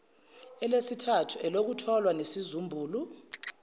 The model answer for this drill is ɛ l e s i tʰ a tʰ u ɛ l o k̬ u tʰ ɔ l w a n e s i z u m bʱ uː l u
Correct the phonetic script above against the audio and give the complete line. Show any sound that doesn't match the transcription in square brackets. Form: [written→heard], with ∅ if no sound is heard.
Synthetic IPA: ɛ l e s i tʰ a tʰ u ɛ l o k̬ u tʰ ɔ l w a n e s i z u m bʱ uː l u